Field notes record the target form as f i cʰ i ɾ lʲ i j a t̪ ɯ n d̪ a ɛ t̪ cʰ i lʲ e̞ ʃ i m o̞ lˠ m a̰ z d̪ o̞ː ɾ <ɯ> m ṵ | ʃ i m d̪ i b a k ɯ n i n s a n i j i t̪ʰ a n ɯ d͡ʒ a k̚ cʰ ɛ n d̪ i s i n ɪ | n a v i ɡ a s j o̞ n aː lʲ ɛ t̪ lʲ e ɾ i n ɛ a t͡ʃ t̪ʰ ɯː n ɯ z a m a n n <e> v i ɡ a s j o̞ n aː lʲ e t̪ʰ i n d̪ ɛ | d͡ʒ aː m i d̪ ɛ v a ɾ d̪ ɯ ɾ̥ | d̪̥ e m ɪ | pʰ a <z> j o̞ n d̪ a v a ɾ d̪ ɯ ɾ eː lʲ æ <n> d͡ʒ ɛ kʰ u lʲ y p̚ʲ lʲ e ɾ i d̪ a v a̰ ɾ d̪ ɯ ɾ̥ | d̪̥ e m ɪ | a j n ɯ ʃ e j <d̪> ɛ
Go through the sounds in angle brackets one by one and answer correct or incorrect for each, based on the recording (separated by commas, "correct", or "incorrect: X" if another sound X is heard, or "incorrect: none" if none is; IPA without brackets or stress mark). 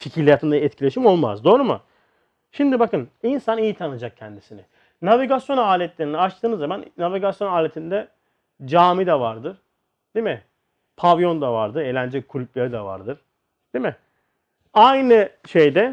incorrect: u, incorrect: a, incorrect: v, correct, correct